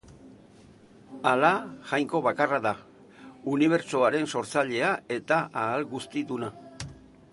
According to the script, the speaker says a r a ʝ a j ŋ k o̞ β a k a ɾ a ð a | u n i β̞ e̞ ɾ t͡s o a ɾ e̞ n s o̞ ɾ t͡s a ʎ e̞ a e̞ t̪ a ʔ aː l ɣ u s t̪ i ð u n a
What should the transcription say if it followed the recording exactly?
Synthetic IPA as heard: a l a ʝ a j ŋ k o̞ β a k a r a ð a | u n i β̞ e̞ ɾ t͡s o a ɾ e̞ n s o̞ ɾ t͡s a ʎ e̞ a e̞ t̪ a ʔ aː l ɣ u s t̪ i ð u n a